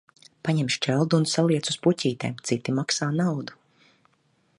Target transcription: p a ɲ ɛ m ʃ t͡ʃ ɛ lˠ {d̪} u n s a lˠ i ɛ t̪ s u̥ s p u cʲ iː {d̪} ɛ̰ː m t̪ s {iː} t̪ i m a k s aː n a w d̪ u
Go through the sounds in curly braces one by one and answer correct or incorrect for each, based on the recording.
correct, incorrect: t̪, incorrect: i

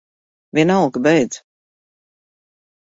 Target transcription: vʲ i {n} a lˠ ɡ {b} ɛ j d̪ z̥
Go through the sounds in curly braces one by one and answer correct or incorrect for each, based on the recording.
correct, correct

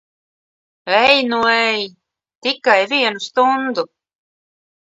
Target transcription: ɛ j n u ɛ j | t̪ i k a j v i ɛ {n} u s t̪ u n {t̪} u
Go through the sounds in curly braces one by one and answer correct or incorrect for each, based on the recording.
correct, incorrect: d̪

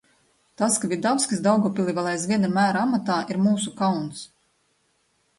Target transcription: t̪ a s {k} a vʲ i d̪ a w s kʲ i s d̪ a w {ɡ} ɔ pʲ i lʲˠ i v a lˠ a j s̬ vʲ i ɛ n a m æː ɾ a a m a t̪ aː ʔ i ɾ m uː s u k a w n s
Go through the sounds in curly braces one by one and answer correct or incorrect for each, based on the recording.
correct, correct

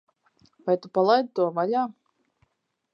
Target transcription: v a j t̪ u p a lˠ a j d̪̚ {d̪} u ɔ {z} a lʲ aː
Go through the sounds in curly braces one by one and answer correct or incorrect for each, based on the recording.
incorrect: t̪, incorrect: v

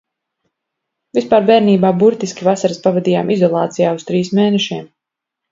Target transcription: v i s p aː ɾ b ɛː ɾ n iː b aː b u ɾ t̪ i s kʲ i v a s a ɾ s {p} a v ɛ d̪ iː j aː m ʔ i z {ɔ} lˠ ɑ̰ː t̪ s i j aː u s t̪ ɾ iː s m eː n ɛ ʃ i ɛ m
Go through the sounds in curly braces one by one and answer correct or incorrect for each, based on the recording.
correct, correct

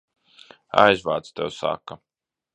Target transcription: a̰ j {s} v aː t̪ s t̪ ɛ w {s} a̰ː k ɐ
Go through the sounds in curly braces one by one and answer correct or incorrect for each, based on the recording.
incorrect: z, correct

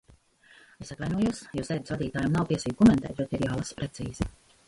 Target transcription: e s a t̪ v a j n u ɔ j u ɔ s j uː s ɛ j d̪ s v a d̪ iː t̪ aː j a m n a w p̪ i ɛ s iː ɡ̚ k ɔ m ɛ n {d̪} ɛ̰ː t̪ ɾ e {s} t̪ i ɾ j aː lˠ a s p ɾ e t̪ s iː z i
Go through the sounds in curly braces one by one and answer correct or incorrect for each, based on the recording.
incorrect: t̪, incorrect: none

